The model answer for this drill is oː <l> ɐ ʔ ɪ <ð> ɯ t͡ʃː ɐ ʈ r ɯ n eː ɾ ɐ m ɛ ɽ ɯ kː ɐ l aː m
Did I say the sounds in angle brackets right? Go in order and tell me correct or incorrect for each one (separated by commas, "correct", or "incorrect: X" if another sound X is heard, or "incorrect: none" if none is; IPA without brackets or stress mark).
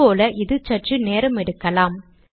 correct, correct